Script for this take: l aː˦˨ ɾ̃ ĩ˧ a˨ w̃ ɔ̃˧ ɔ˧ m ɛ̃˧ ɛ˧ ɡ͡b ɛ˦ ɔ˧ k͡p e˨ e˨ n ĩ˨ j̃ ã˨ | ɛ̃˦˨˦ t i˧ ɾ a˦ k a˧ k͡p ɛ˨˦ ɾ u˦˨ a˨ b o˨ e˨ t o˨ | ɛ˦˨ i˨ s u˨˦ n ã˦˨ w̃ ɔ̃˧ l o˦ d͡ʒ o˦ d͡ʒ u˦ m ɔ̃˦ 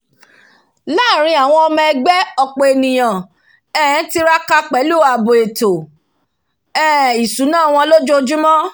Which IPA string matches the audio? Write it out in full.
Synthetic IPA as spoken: l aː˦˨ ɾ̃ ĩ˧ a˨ w̃ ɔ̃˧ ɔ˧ m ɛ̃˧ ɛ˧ ɡ͡b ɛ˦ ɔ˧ k͡p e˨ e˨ n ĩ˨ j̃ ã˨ | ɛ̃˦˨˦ t i˧ ɾ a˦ k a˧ k͡p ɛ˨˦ l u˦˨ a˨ b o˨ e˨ t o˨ | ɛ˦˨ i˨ s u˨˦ n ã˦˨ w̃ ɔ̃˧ l o˦ d͡ʒ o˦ d͡ʒ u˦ m ɔ̃˦

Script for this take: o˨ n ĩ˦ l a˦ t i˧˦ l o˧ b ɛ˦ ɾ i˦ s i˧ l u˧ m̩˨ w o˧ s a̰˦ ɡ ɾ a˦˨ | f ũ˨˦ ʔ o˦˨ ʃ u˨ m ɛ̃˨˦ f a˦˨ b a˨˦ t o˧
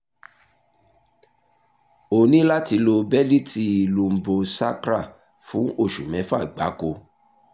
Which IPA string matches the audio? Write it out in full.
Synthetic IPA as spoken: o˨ n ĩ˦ l a˦ t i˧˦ l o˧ b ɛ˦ l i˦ t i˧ l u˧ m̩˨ b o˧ s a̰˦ k ɾ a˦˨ | f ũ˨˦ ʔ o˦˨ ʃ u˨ m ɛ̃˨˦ f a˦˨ ɡ͡b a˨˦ k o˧

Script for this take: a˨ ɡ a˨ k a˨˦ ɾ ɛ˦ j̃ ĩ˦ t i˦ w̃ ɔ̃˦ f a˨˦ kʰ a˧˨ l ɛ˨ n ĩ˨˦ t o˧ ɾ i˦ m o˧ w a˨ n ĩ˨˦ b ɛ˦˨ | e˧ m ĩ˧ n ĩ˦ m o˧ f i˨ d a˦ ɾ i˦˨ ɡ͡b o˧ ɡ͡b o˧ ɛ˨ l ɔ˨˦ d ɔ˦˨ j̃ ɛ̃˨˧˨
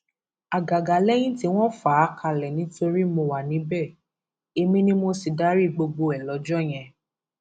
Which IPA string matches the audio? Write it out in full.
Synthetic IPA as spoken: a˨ ɡ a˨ ɡ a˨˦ l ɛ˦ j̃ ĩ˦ t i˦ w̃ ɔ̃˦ f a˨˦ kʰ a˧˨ l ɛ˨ n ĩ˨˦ t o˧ ɾ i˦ m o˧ w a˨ n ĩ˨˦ b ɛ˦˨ | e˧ m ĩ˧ n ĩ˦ m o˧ s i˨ d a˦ ɾ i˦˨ ɡ͡b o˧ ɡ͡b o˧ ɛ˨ l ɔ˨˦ d͡ʒ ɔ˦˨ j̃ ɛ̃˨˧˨

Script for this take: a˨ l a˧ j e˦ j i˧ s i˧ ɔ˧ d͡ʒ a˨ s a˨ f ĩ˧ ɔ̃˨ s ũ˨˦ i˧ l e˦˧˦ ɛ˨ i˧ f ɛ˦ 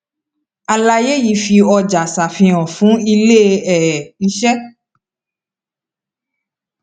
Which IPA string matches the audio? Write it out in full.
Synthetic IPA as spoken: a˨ l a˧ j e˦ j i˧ f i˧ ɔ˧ d͡ʒ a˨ s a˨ f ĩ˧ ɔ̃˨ f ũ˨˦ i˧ l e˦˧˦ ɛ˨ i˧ ʃ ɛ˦

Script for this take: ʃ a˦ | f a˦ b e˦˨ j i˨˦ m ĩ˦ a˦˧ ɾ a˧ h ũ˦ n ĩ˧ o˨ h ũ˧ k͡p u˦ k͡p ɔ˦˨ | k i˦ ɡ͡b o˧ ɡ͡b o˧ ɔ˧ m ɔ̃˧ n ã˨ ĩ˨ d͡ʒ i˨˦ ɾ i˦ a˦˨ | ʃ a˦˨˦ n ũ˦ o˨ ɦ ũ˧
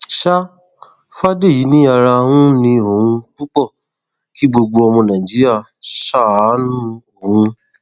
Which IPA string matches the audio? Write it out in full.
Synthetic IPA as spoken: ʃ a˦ | f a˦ d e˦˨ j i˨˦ n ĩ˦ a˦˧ ɾ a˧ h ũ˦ n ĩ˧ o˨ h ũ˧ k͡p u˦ k͡p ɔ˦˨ | k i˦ ɡ͡b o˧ ɡ͡b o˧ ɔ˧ m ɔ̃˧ n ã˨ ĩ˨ d͡ʒ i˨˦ ɾ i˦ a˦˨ | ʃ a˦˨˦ n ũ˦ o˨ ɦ ũ˧

